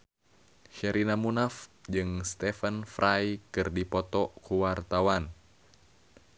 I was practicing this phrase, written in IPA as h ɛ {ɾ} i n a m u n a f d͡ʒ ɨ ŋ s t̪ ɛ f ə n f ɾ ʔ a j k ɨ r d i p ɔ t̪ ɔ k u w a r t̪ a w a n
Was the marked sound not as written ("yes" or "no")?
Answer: no